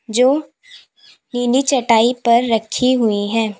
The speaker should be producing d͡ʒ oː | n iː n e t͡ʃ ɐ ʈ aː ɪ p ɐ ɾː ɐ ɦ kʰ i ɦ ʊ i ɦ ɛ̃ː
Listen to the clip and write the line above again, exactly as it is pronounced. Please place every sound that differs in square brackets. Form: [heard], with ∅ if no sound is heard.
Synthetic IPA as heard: d͡ʒ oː | n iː n [i] t͡ʃ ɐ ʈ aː [i] p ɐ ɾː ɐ [∅] kʰ i ɦ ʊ i ɦ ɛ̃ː